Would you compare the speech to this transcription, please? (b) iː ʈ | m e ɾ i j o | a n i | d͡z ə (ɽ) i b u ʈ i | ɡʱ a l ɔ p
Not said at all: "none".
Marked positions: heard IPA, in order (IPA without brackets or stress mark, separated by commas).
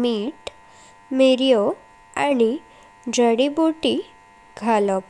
m, ɽ